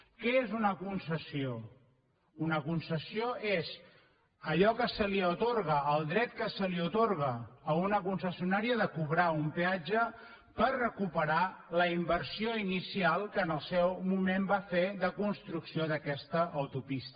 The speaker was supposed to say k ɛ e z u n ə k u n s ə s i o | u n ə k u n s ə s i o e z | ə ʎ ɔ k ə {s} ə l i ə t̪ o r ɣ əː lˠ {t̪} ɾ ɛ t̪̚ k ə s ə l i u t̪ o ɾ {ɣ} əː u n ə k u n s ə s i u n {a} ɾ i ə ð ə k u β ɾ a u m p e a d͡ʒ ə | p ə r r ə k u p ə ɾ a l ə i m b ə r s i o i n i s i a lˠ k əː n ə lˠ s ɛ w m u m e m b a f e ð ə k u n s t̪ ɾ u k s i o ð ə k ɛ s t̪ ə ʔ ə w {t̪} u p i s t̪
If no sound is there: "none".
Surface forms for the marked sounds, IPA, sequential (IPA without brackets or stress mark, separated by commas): s, d̪, ɣ, a, t̪